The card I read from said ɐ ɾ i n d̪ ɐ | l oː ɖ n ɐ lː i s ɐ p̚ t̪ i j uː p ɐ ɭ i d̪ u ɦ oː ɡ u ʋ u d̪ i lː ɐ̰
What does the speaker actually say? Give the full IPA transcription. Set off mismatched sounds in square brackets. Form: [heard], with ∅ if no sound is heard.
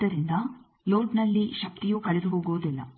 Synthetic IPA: ɐ ɾ i n d̪ ɐ | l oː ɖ n ɐ lː i [ʃ] ɐ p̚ t̪ i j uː [k] ɐ ɭ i d̪ u ɦ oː ɡ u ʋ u d̪ i lː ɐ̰